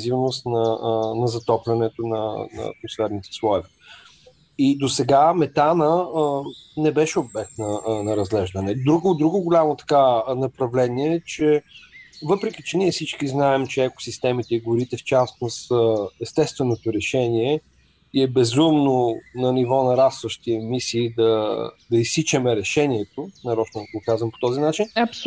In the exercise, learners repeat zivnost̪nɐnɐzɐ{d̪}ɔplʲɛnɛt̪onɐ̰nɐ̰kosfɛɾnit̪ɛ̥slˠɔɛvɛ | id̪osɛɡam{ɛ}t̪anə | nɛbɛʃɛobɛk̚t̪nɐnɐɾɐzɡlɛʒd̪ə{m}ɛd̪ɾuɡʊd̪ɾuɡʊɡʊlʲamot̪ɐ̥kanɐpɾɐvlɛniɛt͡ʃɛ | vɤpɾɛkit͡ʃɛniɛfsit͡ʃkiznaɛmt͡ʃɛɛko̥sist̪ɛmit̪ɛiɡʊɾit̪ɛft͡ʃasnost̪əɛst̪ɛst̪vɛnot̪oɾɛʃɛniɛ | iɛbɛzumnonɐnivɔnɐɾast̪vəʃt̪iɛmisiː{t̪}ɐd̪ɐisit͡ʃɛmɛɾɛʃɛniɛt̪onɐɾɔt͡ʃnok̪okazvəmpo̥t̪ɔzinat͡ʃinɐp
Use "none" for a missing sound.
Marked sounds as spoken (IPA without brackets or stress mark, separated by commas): t̪, ɛ, n, d̪